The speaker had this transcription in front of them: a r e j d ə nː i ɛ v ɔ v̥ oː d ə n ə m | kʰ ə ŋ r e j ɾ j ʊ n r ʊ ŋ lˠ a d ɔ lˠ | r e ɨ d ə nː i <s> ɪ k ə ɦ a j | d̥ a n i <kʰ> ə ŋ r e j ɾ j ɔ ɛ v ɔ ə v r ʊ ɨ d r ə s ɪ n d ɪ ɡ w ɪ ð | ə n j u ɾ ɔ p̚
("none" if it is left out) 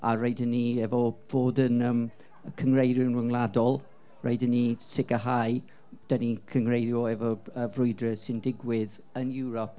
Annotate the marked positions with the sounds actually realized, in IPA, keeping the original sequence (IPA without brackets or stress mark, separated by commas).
s, kʰ